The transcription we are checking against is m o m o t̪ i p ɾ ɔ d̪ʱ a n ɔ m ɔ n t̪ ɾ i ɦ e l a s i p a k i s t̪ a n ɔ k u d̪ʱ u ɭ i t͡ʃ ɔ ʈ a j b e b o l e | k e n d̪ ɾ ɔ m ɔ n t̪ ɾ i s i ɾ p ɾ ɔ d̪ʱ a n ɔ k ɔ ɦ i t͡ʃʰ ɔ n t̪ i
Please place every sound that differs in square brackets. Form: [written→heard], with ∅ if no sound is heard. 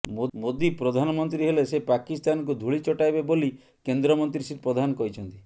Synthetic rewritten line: m o m o [t̪→d̪] i p ɾ ɔ d̪ʱ a n ɔ m ɔ n t̪ ɾ i ɦ e l [a→e] s [i→e] p a k i s t̪ a n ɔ k u d̪ʱ u ɭ i t͡ʃ ɔ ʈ a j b e b o l [e→i] | k e n d̪ ɾ ɔ m ɔ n t̪ ɾ i s i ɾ p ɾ ɔ d̪ʱ a n ɔ k ɔ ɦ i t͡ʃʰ ɔ n t̪ i